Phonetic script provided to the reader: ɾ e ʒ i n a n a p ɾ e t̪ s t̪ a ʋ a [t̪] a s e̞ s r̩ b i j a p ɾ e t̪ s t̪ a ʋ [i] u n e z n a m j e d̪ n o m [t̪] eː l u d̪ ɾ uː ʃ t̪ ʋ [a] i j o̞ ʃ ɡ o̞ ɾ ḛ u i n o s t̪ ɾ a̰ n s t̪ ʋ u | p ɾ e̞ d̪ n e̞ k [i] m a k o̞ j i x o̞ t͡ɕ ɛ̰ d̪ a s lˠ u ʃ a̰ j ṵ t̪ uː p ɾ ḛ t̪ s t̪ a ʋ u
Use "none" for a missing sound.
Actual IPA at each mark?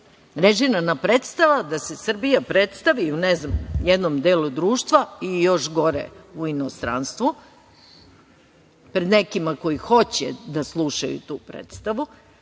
d̪, i, d̪, a, i

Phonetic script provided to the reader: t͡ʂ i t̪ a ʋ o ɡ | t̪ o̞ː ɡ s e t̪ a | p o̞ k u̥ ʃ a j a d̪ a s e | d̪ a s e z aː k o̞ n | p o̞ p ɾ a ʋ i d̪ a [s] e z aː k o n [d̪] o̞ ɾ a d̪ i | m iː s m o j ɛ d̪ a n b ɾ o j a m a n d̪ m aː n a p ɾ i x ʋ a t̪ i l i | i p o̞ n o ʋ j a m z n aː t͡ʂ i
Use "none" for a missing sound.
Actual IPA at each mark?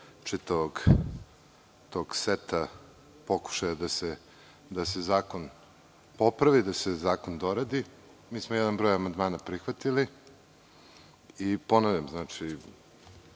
s, d̪

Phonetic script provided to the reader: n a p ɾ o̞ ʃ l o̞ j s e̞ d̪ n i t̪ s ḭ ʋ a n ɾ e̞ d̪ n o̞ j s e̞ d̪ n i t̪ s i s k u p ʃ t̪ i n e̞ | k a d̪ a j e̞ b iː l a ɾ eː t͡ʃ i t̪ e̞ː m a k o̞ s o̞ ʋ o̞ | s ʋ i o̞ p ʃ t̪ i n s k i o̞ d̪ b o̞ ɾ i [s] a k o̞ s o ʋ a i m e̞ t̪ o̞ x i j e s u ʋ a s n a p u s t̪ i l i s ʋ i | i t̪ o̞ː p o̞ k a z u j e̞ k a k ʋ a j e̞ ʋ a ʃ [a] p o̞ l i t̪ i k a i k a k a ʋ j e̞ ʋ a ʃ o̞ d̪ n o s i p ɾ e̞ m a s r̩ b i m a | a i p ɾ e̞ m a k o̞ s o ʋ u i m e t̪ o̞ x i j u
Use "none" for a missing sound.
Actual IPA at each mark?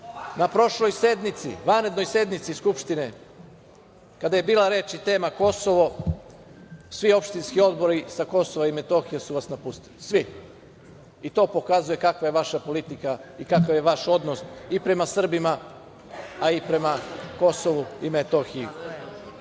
s, a

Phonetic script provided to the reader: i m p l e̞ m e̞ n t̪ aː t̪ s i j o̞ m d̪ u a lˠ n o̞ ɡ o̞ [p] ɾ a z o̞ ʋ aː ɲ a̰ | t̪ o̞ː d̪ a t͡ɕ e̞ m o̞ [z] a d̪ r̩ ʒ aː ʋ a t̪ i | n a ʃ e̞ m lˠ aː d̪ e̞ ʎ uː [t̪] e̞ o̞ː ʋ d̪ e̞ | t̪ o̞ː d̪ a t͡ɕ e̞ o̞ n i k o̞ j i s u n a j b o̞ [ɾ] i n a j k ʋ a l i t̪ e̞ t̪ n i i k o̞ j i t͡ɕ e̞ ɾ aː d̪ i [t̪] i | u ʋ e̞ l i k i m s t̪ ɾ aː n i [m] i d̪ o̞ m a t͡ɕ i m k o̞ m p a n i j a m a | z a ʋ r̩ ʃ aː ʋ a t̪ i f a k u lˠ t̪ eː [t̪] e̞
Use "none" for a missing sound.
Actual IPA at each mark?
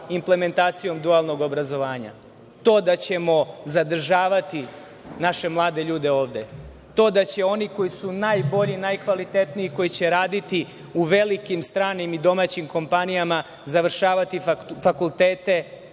b, z, d̪, ʎ, t̪, m, t̪

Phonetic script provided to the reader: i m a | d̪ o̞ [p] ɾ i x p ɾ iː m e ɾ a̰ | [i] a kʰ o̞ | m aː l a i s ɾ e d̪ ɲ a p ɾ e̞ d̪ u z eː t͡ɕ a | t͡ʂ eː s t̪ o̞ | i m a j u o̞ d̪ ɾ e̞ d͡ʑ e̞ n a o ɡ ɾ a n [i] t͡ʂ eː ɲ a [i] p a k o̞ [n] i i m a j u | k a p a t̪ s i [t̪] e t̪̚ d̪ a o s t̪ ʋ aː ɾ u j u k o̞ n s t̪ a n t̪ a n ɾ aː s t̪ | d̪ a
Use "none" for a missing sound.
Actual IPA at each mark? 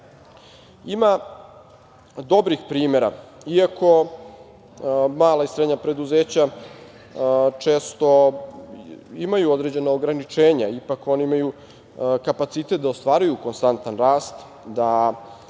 b, i, i, i, n, t̪

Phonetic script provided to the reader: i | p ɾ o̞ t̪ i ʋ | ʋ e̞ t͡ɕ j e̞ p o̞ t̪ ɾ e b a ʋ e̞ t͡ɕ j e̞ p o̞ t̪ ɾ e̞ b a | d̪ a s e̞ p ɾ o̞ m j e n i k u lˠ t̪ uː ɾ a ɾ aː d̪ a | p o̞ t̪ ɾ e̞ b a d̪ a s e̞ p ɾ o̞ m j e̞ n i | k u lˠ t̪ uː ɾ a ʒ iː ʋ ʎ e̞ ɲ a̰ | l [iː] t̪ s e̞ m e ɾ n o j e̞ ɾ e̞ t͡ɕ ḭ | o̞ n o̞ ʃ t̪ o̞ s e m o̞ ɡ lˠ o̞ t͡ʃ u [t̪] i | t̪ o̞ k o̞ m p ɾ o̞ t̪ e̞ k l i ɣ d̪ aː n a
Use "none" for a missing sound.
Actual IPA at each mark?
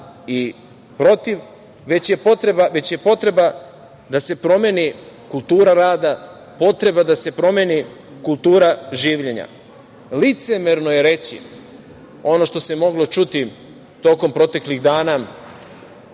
i, t̪

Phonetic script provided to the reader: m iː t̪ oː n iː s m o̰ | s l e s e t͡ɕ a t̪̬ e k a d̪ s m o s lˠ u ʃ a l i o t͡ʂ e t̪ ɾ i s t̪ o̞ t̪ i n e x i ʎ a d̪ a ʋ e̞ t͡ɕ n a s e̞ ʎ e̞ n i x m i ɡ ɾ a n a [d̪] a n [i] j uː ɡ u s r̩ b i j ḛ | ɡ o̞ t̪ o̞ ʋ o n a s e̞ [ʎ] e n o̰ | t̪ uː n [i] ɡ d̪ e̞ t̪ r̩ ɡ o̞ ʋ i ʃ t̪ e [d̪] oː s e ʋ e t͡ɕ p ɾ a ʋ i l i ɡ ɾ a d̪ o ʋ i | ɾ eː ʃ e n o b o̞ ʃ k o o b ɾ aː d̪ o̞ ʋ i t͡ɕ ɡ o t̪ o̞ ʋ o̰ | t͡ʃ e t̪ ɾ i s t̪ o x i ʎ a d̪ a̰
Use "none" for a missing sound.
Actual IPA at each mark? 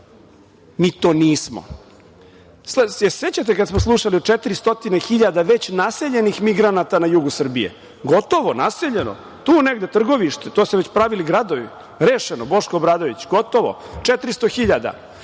t̪, a, ʎ, e, t̪

